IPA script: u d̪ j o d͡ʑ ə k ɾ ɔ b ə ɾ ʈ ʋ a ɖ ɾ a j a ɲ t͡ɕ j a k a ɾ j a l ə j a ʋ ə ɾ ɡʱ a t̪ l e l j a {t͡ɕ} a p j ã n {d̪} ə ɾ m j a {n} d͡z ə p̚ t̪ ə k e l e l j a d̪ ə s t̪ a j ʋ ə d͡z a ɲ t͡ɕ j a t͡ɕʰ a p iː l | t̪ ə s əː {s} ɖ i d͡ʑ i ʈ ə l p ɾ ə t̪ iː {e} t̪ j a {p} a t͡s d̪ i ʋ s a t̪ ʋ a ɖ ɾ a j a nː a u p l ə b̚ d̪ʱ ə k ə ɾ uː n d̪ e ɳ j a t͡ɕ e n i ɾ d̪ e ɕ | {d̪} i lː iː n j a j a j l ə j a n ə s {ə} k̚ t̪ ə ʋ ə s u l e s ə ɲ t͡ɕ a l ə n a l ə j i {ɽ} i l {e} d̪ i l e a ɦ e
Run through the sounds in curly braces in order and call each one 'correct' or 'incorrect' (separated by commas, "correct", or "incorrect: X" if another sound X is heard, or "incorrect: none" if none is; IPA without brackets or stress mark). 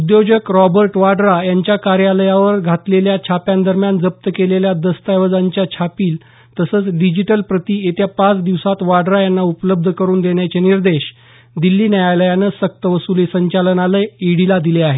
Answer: incorrect: t͡ɕʰ, correct, correct, incorrect: t͡s, correct, correct, correct, correct, correct, incorrect: a